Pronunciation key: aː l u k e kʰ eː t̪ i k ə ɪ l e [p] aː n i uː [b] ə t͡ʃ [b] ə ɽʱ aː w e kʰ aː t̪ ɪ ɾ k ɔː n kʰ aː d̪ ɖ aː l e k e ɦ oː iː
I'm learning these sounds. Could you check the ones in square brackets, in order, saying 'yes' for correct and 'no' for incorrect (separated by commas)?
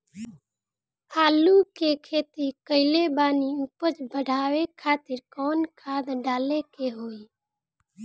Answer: no, no, yes